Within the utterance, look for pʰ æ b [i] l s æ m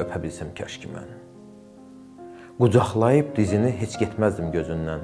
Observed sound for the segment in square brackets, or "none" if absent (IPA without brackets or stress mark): i